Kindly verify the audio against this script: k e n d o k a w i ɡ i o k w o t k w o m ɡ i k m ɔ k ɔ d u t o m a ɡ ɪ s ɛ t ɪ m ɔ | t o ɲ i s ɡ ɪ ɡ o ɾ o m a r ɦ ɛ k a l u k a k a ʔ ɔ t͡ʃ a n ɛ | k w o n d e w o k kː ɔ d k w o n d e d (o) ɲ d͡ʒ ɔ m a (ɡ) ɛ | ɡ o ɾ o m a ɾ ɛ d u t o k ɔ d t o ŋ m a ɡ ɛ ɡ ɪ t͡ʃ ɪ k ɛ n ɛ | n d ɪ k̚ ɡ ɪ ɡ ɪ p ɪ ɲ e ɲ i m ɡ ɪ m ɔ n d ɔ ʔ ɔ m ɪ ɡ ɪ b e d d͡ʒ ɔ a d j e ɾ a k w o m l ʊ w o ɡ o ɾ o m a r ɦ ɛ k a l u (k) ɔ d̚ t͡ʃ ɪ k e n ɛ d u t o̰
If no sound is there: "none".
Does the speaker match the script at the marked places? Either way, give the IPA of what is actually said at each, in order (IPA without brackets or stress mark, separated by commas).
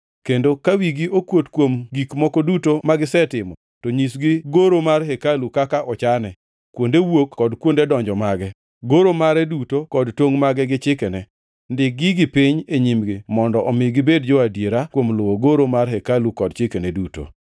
ɔ, ɡ, k